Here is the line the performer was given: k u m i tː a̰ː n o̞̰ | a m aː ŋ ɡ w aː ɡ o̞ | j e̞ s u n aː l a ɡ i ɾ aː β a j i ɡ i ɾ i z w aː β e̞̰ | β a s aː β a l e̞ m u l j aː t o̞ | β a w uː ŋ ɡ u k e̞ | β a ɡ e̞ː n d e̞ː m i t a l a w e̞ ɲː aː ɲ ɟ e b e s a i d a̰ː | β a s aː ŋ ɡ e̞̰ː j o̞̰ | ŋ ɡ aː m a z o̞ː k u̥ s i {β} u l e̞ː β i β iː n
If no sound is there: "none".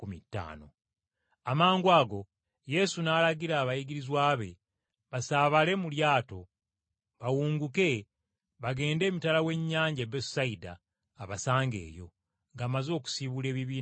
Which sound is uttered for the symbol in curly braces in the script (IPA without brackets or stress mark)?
β